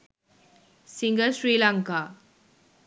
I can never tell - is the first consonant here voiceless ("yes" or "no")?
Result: yes